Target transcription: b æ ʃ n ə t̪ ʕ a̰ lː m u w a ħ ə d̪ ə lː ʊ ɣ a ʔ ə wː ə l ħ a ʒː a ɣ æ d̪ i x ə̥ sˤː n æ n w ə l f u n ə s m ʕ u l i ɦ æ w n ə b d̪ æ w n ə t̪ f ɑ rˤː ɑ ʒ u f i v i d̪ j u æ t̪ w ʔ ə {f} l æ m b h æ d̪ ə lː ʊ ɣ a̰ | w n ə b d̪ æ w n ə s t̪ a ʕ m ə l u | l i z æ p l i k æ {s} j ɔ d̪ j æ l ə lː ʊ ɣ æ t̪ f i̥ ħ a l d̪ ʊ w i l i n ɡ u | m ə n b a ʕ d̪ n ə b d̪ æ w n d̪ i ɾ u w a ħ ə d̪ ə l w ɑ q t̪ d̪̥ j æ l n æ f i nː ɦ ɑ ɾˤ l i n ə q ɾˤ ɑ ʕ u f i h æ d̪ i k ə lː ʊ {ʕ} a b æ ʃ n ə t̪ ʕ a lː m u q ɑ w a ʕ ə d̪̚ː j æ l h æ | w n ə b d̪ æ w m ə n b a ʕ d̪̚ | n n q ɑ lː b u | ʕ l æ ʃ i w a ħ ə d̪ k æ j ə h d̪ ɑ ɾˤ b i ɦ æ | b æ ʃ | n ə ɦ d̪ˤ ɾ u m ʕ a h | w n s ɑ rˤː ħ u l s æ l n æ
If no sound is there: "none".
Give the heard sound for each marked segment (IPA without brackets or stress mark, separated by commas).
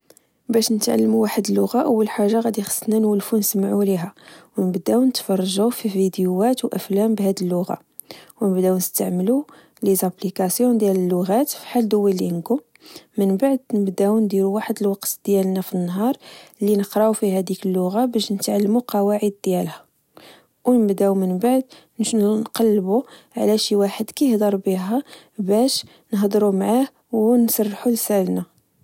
f, s, ɣ